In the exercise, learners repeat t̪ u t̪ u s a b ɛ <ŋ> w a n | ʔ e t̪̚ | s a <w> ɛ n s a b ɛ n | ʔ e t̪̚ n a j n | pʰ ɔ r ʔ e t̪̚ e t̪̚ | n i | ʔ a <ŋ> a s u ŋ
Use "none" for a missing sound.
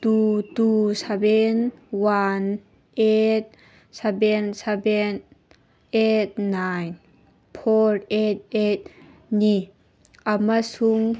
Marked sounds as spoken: n, b, m

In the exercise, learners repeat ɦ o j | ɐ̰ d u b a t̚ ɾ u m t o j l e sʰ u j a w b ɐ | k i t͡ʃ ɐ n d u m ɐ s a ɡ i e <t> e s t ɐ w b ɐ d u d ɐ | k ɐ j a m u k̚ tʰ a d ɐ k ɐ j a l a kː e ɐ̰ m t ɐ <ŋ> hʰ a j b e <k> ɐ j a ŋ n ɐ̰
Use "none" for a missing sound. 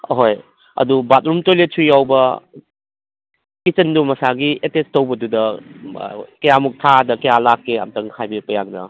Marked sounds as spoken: t, ŋ, p

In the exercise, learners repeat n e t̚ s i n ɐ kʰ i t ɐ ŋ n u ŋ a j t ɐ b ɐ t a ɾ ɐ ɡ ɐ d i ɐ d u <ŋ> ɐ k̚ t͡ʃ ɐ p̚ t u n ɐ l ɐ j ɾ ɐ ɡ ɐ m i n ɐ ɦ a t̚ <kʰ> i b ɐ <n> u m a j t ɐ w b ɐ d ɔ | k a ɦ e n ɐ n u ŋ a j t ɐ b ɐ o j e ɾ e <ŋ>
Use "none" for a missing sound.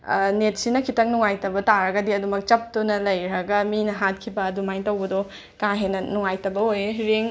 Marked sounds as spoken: m, kʰ, d, ŋ

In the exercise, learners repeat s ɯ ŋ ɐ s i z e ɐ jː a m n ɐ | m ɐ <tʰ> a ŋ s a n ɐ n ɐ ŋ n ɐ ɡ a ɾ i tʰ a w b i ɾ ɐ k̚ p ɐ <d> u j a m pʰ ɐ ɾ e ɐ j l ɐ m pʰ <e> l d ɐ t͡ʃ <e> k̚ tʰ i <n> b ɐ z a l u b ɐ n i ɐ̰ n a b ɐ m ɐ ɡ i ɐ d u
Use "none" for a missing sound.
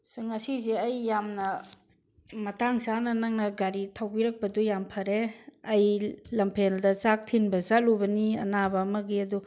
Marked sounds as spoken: t, d, e, a, n

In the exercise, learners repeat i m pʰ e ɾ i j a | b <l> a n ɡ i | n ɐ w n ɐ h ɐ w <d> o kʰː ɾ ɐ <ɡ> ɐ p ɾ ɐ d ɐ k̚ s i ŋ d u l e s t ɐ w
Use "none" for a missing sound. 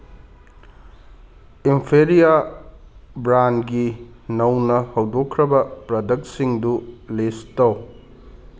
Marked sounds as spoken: ɾ, d, b

